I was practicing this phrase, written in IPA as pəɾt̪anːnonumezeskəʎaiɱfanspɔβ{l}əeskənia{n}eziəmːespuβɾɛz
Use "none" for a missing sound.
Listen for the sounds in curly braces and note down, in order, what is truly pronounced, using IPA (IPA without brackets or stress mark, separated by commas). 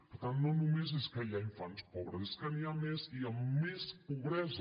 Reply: ɾ, m